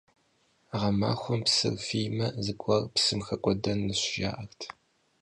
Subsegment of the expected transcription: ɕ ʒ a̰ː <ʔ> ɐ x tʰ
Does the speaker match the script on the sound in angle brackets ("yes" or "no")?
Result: yes